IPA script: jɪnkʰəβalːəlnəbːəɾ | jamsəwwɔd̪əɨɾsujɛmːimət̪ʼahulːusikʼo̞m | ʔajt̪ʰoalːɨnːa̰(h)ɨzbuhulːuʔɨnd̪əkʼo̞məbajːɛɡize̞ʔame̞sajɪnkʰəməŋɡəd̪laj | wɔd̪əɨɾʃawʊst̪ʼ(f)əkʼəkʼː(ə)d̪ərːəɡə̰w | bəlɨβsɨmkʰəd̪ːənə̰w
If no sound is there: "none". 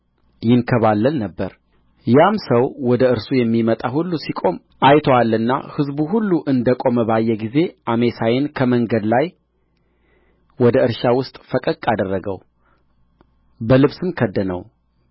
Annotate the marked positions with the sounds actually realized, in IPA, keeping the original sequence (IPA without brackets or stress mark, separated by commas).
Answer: h, f, a